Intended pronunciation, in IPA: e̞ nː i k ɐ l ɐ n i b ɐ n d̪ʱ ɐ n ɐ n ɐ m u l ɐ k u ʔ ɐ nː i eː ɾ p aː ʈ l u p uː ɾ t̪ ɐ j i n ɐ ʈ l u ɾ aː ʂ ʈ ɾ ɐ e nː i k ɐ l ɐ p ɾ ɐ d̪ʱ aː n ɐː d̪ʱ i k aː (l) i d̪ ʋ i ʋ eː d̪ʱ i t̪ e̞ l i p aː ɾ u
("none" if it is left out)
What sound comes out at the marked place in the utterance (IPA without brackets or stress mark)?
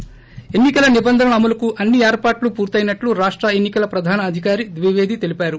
ɾ